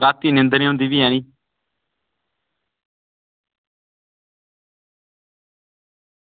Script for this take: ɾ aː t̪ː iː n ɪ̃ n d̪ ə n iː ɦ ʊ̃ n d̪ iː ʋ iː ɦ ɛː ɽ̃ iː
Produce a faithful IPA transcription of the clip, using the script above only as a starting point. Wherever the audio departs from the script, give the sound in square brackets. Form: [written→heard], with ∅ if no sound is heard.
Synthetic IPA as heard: ɾ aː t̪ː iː n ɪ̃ n d̪ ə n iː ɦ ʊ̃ n d̪ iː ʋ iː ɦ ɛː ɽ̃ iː